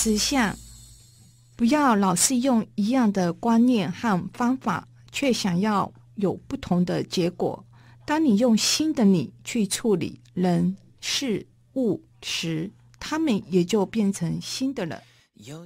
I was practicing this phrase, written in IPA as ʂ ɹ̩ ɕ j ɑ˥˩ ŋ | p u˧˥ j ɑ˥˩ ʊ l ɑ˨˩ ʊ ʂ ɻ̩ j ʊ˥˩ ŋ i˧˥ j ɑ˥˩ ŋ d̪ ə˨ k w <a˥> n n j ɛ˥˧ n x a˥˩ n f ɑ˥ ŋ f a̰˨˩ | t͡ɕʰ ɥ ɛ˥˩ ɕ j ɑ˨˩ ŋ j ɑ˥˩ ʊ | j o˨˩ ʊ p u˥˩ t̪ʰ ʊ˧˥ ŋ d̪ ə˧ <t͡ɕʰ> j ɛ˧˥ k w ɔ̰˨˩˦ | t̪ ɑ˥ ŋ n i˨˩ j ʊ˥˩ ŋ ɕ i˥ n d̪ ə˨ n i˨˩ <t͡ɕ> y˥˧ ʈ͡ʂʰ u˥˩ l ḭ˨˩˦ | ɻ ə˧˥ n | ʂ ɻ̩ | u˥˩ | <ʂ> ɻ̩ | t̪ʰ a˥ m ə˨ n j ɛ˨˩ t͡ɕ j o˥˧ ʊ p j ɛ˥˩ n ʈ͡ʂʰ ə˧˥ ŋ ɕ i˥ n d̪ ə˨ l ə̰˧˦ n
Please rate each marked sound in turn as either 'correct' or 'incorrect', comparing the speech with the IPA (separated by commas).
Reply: correct, incorrect, incorrect, correct